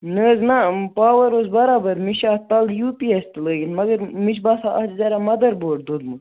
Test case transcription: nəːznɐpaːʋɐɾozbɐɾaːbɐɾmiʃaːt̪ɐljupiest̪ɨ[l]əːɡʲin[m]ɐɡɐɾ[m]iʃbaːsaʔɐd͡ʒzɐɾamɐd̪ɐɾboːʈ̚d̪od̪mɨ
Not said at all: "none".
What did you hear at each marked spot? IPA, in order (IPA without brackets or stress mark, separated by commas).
l, m, m